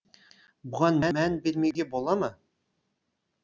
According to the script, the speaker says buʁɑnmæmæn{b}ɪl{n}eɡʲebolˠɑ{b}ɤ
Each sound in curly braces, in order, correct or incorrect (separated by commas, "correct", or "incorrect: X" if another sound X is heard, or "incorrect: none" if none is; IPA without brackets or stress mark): correct, incorrect: m, incorrect: m